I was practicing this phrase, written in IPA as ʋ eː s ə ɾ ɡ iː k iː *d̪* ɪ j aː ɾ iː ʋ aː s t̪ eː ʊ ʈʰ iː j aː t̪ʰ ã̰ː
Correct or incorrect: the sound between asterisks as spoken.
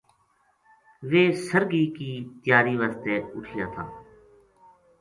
incorrect: t̪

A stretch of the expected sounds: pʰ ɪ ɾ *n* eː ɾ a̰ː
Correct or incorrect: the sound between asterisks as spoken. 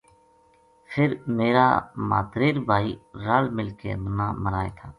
incorrect: m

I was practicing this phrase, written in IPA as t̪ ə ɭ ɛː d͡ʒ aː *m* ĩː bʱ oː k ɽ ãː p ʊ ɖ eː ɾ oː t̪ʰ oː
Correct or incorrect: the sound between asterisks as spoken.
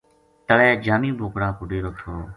correct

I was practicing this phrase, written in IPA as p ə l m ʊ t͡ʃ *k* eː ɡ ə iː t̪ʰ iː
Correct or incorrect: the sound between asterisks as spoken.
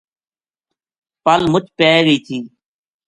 incorrect: p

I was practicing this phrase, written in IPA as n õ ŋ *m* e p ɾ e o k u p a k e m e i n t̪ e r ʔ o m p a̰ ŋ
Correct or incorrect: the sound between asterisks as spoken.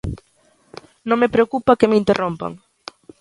correct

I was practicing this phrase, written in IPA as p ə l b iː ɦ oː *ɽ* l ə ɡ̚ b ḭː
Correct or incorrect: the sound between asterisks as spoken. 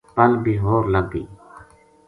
incorrect: ɾ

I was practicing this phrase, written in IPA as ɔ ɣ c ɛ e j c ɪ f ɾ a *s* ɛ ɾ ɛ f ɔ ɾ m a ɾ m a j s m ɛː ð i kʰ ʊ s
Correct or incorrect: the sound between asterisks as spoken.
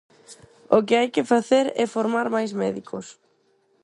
incorrect: θ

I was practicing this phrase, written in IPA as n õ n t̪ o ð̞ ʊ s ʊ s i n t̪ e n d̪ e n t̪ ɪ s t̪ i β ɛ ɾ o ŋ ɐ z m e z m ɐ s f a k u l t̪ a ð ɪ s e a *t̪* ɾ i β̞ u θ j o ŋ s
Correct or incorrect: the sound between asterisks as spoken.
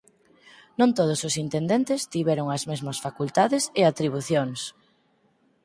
correct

